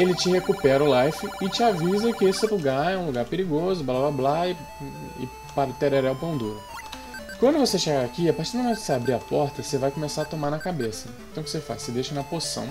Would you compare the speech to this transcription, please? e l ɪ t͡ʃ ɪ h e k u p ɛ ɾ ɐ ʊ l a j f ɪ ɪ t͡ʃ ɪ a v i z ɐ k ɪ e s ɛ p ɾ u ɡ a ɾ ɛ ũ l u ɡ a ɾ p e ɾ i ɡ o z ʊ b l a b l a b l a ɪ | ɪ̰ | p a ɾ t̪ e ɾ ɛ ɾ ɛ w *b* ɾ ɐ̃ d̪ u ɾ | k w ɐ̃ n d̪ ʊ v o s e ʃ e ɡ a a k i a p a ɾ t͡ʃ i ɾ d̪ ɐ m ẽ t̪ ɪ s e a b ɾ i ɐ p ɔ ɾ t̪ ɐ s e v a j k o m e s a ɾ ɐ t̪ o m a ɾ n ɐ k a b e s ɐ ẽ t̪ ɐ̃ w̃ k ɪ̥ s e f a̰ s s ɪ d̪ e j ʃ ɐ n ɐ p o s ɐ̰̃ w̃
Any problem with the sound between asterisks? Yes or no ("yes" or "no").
yes